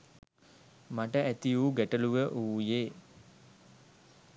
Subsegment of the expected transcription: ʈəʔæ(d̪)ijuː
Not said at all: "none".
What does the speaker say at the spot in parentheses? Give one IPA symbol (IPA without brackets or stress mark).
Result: t̪